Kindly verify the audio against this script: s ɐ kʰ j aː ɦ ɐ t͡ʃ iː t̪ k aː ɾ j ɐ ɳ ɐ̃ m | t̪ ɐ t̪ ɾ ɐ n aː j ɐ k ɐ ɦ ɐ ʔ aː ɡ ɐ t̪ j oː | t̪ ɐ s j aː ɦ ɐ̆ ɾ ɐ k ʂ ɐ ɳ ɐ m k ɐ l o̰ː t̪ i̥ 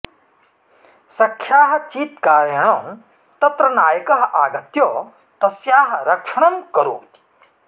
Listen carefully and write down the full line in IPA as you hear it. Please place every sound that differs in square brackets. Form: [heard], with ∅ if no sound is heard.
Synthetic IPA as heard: s ɐ kʰ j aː ɦ ɐ t͡ʃ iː t̪ k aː ɾ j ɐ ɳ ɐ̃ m | t̪ ɐ t̪ ɾ ɐ n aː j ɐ k ɐ ɦ ɐ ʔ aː ɡ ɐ t̪ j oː | t̪ ɐ s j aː ɦ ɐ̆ ɾ ɐ k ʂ ɐ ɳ ɐ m k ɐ [ɾ] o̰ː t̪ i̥